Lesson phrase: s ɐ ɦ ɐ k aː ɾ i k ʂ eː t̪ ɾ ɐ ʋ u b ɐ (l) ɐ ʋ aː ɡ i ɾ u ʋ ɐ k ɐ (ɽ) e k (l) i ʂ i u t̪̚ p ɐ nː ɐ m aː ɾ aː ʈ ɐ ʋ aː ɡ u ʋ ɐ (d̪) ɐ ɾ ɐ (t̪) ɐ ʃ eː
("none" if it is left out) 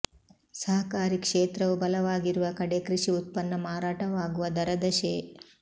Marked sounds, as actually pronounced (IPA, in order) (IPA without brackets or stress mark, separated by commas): l, ɽ, ɾ, d̪, d̪